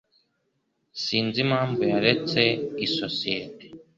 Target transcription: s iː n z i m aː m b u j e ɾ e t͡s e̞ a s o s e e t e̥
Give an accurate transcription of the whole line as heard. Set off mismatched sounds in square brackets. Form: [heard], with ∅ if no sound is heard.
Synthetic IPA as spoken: s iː n z i m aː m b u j [a] ɾ e t͡s e̞ [i] s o s [i] e t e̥